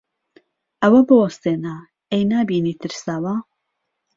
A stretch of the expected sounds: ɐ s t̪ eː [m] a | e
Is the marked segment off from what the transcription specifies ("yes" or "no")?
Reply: yes